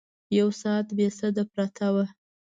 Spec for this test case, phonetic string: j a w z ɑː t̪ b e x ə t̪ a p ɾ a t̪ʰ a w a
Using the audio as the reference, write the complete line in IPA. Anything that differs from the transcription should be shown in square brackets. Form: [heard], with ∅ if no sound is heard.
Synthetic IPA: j a w [s] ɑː t̪ b e [s] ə [d̪] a p ɾ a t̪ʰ a w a